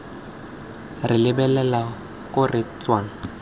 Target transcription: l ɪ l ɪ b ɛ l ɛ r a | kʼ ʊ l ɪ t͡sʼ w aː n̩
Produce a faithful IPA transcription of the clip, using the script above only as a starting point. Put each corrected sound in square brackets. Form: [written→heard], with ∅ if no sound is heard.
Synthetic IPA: [l→r] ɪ l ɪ b ɛ l ɛ [r→l] a | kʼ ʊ [l→r] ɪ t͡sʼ w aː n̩